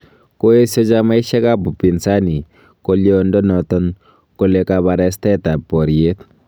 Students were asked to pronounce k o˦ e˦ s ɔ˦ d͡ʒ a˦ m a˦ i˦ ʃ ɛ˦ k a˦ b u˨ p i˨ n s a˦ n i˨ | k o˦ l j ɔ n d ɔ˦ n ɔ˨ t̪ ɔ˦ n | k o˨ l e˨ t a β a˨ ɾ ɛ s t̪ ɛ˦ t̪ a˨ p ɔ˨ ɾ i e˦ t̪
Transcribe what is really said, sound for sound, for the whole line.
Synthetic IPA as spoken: k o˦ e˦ s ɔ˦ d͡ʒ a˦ m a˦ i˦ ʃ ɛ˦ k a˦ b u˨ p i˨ n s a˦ n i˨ | k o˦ l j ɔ n d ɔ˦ n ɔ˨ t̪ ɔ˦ n | k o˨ l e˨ k a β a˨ ɾ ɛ s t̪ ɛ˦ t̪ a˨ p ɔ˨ ɾ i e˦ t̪